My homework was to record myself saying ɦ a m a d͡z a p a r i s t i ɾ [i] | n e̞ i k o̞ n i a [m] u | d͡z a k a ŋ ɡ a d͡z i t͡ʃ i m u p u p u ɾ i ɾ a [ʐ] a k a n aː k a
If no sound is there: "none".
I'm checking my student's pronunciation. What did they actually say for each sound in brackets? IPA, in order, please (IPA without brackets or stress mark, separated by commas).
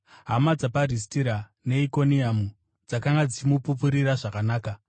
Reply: a, m, ʐ